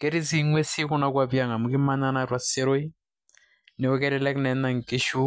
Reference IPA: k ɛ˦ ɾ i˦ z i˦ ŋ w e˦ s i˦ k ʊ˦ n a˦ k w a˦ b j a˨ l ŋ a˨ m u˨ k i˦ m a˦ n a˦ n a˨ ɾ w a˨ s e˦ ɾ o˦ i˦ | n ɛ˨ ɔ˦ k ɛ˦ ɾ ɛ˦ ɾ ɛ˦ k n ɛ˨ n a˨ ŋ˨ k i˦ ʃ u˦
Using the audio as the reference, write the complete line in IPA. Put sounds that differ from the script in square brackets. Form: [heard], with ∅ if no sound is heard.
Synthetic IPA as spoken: k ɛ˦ ɾ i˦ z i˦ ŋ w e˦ s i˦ k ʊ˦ n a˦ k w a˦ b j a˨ [∅] ŋ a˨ m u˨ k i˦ m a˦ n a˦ n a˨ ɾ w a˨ s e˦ ɾ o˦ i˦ | n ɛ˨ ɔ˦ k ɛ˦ ɾ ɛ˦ [l] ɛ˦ k n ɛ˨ n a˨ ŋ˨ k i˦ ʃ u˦